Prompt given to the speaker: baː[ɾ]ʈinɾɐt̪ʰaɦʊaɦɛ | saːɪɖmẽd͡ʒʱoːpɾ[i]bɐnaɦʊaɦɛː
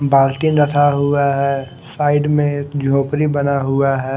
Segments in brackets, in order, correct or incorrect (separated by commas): incorrect, correct